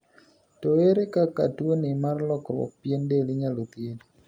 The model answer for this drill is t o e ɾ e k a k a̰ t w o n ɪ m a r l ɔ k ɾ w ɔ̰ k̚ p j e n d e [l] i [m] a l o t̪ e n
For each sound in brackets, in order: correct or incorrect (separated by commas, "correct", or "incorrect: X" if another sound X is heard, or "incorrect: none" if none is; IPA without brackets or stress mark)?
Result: correct, incorrect: ɲ